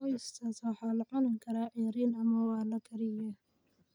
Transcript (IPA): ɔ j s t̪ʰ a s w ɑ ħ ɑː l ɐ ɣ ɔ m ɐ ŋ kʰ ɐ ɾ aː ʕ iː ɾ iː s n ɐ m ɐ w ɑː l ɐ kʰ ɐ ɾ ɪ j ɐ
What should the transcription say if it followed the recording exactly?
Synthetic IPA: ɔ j s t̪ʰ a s w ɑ ħ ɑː l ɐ ʕ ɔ n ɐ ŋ kʰ ɐ ɾ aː ʕ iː ɾ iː n ɐ m ɐ w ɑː l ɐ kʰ ɐ ɾ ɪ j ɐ